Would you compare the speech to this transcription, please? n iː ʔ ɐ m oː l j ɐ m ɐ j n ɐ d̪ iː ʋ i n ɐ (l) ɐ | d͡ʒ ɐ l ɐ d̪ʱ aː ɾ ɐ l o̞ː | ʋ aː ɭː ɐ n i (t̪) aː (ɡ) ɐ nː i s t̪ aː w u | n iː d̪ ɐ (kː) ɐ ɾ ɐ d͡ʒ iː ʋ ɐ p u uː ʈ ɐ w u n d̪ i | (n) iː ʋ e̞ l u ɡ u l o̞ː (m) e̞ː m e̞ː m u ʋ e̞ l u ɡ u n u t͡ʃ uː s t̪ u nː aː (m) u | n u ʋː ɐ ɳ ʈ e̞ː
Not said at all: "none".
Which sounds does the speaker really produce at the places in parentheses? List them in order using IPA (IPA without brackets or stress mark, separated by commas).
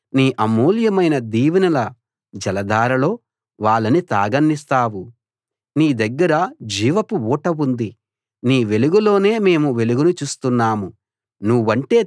l, t̪, ɡ, ɡː, n, n, m